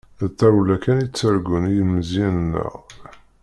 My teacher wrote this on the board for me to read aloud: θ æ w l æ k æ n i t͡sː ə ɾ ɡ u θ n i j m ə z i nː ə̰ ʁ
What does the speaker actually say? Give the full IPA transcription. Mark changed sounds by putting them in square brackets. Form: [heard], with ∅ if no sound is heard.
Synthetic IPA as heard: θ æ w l æ k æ n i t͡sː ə ɾ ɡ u [∅] n i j m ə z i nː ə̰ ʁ